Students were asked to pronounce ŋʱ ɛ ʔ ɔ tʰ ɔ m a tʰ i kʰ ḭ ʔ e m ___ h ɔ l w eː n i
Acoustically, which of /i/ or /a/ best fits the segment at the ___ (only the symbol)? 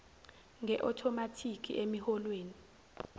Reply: i